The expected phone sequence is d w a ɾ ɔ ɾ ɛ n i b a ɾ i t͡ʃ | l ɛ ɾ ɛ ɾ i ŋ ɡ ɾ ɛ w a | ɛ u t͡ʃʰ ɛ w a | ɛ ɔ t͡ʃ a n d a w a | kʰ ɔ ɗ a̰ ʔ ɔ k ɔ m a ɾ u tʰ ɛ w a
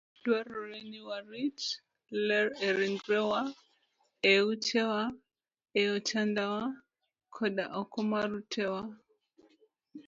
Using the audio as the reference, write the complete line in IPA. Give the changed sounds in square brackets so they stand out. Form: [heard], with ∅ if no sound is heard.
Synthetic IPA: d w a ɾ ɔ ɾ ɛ n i [w] a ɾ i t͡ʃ | l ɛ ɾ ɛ ɾ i ŋ ɡ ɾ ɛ w a | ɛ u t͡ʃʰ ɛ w a | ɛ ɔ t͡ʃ a n d a w a | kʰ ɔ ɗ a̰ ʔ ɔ k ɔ m a ɾ u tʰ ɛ w a